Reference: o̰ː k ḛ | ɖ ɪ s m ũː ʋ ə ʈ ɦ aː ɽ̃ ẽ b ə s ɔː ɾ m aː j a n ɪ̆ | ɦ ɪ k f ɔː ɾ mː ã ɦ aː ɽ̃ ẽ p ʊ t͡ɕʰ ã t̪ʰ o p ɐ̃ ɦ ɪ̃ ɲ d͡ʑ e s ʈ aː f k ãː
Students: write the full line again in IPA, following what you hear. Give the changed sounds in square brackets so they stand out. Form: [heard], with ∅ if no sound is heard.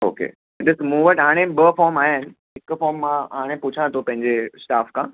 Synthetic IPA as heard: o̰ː k ḛ | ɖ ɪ s m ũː ʋ ə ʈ ɦ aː ɽ̃ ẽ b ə [f] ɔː ɾ m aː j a n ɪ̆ | ɦ ɪ k f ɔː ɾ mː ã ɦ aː ɽ̃ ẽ p ʊ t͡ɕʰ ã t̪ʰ o p ɐ̃ ɦ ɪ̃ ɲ d͡ʑ e s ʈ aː f k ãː